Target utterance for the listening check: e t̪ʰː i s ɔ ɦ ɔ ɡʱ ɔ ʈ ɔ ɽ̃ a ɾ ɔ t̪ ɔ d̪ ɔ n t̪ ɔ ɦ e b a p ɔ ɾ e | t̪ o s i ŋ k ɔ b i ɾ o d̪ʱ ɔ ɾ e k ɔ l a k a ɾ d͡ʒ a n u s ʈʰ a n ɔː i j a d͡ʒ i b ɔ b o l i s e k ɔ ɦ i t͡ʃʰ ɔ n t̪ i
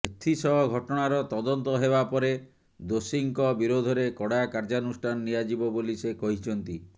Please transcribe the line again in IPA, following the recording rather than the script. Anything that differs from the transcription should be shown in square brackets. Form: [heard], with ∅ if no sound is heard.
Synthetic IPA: e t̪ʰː i s ɔ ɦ ɔ ɡʱ ɔ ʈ ɔ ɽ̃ a ɾ ɔ t̪ ɔ d̪ ɔ n t̪ ɔ ɦ e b a p ɔ ɾ e | [d̪] o s i ŋ k ɔ b i ɾ o d̪ʱ ɔ ɾ e k ɔ [ɽ] a k a ɾ d͡ʒ a n u s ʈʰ a n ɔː i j a d͡ʒ i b ɔ b o l i s e k ɔ ɦ i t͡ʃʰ ɔ n t̪ i

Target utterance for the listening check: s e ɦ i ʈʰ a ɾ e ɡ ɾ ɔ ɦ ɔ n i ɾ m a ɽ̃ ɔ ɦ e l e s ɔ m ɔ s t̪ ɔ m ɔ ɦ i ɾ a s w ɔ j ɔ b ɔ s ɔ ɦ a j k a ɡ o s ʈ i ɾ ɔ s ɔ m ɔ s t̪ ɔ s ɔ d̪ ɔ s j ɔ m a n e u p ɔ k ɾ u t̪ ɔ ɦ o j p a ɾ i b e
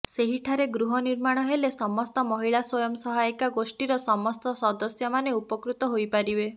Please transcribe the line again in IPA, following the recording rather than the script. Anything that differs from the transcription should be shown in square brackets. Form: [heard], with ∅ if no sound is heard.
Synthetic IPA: s e ɦ i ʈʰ a ɾ e ɡ ɾ [u] ɦ ɔ n i ɾ m a ɽ̃ ɔ ɦ e l e s ɔ m ɔ s t̪ ɔ m ɔ ɦ i [ɭ] a s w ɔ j ɔ [m] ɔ s ɔ ɦ a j k a ɡ o s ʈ i ɾ ɔ s ɔ m ɔ s t̪ ɔ s ɔ d̪ ɔ s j ɔ m a n e u p ɔ k ɾ u t̪ ɔ ɦ o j p a ɾ i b e

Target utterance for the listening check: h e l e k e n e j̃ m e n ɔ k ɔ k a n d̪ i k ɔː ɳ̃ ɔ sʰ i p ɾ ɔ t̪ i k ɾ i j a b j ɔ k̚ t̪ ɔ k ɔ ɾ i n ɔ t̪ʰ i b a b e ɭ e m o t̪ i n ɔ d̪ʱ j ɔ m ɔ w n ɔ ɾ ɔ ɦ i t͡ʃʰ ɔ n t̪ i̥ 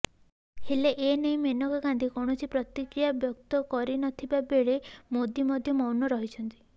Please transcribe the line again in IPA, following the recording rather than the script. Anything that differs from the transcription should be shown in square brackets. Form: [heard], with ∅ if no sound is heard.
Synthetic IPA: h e l e [ʔ] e n e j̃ m e n ɔ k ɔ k a n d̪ i k [ɔ] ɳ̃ ɔ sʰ i p ɾ ɔ t̪ i k ɾ i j a b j ɔ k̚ t̪ ɔ k ɔ ɾ i n ɔ t̪ʰ i b a b e ɭ e m o [d̪] i [m] ɔ d̪ʱ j ɔ m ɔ w n ɔ ɾ ɔ ɦ i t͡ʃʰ ɔ n t̪ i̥

